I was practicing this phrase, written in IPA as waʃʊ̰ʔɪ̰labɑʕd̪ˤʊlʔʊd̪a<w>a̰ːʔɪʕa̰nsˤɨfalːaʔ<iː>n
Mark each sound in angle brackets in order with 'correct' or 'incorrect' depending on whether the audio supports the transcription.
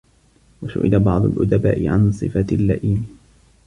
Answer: incorrect: b, correct

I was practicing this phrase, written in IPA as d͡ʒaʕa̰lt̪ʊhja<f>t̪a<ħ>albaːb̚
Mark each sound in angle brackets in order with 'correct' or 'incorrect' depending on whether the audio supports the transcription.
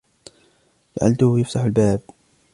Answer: correct, correct

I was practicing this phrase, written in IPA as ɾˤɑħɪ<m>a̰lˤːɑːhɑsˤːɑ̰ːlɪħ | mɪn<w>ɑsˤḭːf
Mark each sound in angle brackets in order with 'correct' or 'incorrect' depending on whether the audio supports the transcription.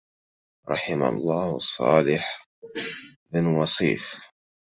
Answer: correct, correct

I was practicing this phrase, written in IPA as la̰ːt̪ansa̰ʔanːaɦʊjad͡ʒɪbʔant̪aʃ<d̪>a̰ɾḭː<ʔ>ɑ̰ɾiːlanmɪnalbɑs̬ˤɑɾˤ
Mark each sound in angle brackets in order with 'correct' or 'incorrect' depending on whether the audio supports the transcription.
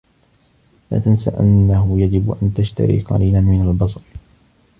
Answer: incorrect: t̪, incorrect: q

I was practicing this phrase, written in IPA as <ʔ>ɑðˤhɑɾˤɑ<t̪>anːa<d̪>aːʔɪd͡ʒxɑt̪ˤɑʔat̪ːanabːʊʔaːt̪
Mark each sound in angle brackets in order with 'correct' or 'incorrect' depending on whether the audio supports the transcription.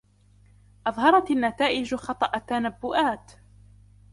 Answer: correct, correct, incorrect: t̪

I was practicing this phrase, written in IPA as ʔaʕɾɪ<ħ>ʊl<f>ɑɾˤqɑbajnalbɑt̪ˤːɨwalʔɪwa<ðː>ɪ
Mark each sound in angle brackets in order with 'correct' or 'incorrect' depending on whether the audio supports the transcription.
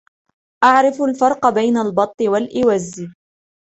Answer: incorrect: f, correct, incorrect: zː

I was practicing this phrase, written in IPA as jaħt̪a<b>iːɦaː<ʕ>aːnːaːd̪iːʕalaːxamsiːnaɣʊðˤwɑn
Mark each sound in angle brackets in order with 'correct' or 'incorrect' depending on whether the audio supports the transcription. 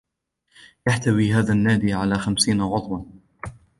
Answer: incorrect: w, incorrect: ð

